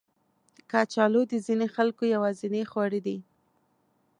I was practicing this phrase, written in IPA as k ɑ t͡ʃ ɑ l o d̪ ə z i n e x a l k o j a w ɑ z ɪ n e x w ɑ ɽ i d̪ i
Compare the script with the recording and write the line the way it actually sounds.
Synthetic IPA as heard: k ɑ t͡ʃ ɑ l o d̪ ə z i n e x a l k o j a w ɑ z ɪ n e x w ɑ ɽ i d̪ i